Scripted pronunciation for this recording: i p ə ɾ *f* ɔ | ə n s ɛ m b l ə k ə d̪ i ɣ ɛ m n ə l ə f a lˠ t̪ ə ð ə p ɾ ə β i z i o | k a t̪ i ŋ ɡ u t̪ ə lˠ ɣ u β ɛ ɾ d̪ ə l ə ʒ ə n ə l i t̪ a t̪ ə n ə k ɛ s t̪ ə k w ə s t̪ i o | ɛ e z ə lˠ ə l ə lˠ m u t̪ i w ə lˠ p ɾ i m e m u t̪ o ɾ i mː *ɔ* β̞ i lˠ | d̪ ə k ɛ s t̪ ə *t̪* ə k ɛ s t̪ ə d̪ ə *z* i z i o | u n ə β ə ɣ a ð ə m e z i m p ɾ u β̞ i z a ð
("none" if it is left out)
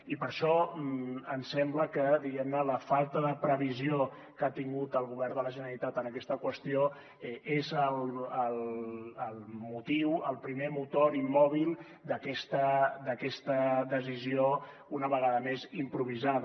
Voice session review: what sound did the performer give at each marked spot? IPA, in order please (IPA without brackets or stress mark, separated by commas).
ʃ, ɔ, d̪, z